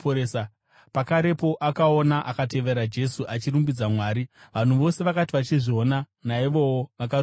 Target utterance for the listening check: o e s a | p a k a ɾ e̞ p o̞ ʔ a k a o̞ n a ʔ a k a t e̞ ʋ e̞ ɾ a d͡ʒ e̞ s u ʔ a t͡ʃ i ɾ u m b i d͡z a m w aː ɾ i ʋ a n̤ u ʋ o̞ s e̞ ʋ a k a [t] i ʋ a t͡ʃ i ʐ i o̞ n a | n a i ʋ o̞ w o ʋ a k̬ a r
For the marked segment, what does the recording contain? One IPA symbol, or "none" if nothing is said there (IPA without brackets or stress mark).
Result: t